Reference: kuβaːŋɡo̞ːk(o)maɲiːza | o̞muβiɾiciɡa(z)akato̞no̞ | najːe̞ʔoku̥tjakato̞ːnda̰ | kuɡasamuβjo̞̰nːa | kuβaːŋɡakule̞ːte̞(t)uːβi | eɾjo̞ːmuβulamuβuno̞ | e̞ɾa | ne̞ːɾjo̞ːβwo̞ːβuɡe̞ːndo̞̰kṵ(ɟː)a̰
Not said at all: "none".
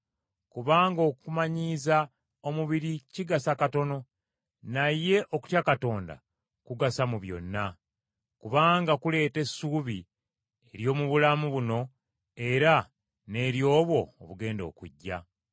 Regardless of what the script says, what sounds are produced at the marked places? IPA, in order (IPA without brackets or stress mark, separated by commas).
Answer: u, s, s, ɟː